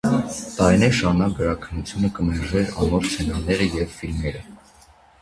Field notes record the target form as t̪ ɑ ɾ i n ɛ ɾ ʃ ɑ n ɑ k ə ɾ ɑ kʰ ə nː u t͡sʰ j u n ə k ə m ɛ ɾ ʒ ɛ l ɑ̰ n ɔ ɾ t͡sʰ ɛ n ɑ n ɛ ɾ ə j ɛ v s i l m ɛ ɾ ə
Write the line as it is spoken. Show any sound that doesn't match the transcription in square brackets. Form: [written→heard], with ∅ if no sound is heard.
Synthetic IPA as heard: t̪ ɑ ɾ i n ɛ ɾ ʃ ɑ n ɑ [k→ɡ] ə ɾ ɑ kʰ ə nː u t͡sʰ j u n ə k ə m ɛ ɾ ʒ ɛ [l→ɾ] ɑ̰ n ɔ ɾ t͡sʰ ɛ n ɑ n ɛ ɾ ə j ɛ v [s→f] i l m ɛ ɾ ə